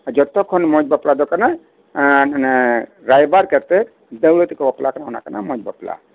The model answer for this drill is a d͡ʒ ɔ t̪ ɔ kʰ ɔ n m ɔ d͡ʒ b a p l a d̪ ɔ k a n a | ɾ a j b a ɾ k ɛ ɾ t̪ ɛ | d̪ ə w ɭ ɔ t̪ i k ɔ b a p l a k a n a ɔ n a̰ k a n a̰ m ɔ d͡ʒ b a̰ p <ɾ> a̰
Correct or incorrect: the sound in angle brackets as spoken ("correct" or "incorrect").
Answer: incorrect